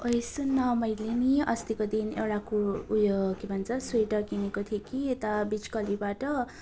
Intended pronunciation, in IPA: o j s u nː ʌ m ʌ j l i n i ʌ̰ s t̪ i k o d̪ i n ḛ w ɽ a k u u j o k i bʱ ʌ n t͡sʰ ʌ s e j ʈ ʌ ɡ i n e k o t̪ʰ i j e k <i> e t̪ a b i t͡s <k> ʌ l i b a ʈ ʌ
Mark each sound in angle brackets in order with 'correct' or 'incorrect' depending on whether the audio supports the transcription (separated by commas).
correct, correct